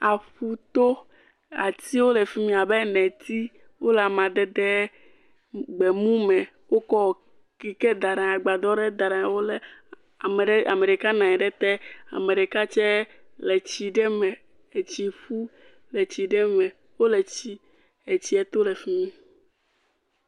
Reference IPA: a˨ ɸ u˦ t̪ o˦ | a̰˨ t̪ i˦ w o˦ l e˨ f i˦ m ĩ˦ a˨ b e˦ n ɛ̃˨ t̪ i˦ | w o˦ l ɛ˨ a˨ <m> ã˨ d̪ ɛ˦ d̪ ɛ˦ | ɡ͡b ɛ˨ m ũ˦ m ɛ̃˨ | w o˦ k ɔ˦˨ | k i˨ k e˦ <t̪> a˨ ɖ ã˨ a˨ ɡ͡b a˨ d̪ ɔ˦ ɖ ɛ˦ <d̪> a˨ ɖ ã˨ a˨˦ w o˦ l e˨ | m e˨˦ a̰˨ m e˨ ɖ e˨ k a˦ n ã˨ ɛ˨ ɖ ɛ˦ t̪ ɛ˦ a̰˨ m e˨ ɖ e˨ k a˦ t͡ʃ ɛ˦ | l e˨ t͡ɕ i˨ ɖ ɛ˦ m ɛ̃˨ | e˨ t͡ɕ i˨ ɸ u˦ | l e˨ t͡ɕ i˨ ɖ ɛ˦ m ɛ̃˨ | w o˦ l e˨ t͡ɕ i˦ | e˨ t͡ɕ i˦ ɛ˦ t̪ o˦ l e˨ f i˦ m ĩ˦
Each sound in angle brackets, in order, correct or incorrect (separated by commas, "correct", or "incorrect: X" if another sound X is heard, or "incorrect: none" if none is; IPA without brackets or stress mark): correct, incorrect: d̪, correct